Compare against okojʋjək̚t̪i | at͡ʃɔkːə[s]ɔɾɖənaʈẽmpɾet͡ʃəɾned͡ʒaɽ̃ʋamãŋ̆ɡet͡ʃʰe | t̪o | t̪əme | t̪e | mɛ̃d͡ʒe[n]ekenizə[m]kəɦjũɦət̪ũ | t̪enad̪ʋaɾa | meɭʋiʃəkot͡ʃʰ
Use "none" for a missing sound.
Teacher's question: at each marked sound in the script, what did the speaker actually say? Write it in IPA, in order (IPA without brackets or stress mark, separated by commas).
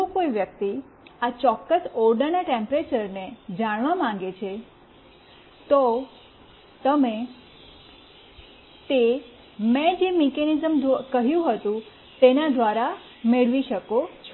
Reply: s, m, m